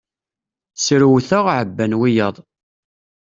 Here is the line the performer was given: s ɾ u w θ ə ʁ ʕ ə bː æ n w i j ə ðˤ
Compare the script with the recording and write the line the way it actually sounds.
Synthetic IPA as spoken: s ɾ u w θ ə ʁ ʕ ə bː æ n w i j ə ðˤ